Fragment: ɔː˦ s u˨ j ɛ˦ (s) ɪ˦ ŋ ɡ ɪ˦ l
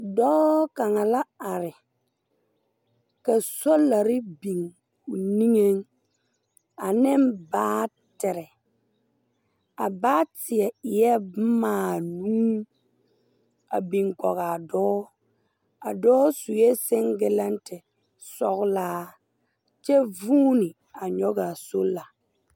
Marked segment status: correct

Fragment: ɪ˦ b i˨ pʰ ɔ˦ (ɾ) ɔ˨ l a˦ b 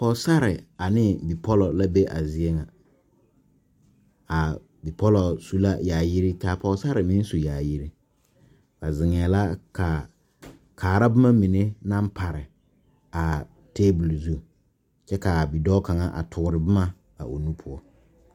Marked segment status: incorrect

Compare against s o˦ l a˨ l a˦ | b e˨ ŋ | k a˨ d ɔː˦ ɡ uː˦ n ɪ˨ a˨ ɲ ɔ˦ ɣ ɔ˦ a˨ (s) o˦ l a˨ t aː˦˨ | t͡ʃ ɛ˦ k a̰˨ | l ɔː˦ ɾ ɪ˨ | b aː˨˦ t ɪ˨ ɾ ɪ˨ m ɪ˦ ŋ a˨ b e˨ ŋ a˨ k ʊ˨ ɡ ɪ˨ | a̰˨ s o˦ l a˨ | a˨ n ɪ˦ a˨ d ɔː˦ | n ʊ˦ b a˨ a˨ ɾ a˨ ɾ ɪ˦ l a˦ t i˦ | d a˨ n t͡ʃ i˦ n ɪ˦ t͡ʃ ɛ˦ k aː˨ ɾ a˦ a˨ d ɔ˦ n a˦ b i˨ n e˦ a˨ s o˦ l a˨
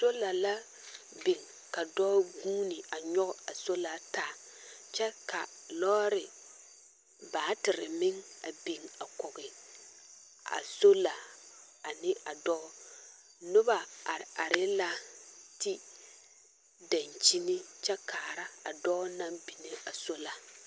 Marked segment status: correct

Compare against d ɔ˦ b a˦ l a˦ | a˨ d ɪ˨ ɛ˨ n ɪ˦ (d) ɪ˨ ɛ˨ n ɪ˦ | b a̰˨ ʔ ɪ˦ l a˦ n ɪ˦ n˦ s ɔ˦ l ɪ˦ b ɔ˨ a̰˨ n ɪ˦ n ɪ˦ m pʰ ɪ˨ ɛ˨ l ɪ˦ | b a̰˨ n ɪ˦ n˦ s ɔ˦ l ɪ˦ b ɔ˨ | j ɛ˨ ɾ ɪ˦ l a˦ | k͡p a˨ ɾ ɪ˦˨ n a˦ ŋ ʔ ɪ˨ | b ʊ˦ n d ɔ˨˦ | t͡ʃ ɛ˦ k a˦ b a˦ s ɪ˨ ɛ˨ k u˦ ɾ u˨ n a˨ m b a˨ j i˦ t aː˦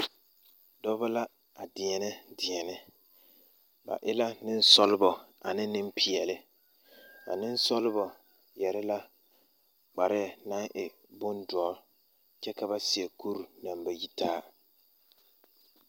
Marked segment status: correct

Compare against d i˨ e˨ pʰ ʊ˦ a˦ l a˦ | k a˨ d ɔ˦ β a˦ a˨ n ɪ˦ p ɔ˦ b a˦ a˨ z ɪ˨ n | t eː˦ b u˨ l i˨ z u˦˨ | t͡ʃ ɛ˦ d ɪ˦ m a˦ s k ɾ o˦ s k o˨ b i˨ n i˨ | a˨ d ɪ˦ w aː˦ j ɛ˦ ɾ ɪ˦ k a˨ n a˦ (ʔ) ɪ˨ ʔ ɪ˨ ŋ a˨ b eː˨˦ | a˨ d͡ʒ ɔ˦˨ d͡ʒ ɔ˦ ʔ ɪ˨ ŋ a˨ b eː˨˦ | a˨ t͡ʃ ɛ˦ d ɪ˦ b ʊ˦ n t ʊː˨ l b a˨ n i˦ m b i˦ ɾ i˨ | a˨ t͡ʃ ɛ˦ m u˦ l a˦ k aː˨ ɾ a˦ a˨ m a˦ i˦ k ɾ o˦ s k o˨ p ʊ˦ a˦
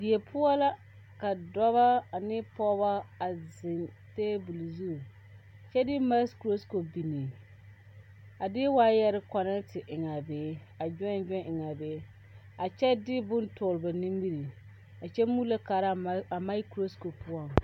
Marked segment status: incorrect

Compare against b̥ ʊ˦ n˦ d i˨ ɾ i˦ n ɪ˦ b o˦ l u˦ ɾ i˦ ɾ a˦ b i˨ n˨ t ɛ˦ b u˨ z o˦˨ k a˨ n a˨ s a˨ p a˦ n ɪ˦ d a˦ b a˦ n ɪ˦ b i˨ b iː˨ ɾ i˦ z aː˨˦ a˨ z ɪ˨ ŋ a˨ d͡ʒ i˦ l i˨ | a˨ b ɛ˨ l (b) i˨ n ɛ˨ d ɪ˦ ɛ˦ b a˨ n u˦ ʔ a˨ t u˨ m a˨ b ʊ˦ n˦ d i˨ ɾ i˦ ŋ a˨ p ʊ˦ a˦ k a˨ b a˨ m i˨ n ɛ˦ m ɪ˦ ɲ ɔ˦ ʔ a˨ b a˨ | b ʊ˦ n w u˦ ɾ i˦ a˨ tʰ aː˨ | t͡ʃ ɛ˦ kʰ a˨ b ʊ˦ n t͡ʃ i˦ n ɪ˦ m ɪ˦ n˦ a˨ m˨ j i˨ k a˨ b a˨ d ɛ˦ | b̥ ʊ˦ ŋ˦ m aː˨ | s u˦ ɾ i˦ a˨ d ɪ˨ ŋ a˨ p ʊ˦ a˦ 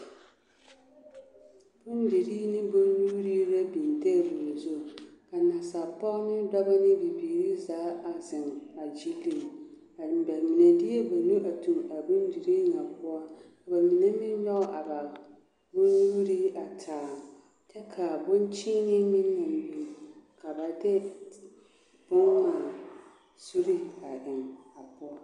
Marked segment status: incorrect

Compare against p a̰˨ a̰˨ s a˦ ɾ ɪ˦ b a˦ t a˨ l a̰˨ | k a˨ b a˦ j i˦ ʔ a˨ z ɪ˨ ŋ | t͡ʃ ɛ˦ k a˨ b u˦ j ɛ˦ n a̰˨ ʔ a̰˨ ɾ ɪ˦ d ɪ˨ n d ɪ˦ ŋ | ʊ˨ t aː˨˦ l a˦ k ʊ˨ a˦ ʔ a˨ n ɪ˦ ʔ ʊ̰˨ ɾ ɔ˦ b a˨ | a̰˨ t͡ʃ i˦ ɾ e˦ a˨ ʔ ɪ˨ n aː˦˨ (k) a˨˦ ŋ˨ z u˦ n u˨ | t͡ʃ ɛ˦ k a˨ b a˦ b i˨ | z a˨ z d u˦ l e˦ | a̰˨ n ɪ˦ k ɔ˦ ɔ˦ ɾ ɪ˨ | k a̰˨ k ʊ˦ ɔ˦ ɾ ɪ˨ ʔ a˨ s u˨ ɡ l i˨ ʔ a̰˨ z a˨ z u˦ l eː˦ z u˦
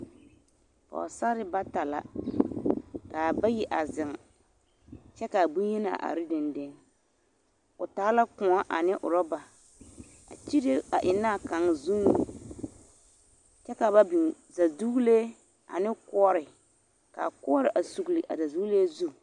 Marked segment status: correct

